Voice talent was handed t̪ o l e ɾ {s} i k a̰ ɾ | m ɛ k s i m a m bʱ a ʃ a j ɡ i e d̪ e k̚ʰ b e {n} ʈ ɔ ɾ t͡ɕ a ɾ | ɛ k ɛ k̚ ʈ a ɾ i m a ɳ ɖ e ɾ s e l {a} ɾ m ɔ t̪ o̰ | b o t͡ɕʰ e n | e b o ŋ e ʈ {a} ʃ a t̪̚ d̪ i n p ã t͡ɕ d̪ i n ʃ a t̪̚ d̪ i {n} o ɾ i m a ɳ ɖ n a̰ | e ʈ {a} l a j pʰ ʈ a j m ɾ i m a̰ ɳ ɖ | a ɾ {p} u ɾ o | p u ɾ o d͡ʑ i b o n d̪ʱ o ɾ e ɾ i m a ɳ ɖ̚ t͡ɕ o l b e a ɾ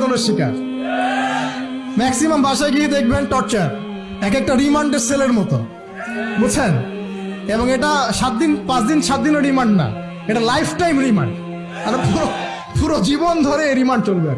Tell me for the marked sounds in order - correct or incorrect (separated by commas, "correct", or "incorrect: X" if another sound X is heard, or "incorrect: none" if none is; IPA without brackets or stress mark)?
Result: incorrect: ʃ, correct, incorrect: e, correct, correct, correct, correct